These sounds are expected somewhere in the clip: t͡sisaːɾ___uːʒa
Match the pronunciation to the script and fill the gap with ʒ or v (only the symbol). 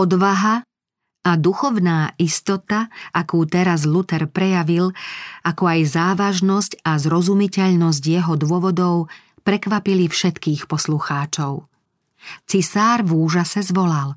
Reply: v